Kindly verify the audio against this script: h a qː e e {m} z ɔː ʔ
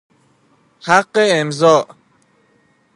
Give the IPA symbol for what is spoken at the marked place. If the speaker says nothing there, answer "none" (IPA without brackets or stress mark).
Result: m